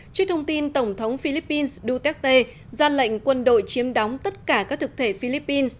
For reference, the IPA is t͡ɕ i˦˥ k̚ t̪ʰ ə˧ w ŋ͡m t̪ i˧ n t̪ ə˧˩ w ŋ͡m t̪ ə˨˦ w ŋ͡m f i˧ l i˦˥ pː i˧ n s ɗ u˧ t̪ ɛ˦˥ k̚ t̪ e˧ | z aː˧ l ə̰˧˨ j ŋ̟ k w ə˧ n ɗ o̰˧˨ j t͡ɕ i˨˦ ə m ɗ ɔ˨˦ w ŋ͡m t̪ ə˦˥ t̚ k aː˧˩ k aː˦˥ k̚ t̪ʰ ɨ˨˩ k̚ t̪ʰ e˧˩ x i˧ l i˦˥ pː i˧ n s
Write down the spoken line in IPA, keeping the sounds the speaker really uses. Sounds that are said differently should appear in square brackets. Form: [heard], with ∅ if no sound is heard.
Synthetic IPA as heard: t͡ɕ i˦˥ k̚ t̪ʰ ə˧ w ŋ͡m t̪ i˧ n t̪ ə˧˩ w ŋ͡m [t̪ʰ] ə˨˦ w ŋ͡m f i˧ l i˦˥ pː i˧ n s ɗ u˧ t̪ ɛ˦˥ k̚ t̪ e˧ | z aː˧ l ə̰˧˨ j ŋ̟ k w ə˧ n ɗ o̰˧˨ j t͡ɕ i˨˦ ə m ɗ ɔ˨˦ w ŋ͡m t̪ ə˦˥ t̚ k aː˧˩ k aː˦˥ k̚ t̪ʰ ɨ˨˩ k̚ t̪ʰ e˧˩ [f] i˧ l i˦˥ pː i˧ n s